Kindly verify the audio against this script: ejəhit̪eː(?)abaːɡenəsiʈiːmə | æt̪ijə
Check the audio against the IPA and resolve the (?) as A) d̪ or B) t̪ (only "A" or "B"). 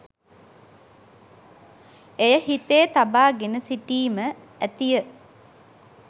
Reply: B